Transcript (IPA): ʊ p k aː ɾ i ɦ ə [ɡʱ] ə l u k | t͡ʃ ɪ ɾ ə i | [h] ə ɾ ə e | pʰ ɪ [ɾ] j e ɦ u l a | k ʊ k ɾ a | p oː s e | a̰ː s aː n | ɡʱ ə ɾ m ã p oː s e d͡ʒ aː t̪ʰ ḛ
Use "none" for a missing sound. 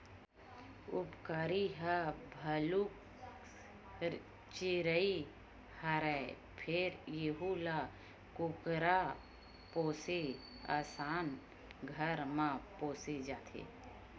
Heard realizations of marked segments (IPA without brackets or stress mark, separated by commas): bʱ, h, ɾ